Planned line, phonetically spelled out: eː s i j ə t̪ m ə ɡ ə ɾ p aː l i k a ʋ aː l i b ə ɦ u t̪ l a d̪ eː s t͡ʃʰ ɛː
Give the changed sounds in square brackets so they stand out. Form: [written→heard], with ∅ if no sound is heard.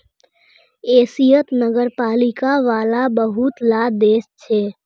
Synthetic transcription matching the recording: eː s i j ə t̪ [m→n] ə ɡ ə ɾ p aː l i k a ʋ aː l [i→a] b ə ɦ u t̪ l a d̪ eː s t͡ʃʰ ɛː